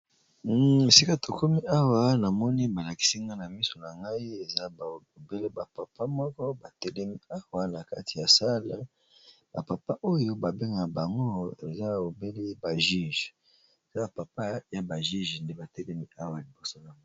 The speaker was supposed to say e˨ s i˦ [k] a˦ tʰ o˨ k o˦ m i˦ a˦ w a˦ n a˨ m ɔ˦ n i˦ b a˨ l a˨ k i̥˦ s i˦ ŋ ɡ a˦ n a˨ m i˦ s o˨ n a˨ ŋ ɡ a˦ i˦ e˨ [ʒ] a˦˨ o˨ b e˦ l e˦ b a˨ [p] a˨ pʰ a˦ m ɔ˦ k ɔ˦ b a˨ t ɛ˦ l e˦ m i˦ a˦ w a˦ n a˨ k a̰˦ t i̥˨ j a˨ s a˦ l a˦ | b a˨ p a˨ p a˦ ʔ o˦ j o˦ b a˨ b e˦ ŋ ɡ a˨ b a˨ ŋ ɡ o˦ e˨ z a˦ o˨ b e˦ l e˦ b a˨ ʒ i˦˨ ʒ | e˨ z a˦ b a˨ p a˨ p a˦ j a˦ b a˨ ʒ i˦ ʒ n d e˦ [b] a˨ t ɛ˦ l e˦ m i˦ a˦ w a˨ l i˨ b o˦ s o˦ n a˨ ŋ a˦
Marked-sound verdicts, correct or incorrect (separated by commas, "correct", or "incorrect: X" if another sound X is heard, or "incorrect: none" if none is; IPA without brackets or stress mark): correct, incorrect: z, correct, correct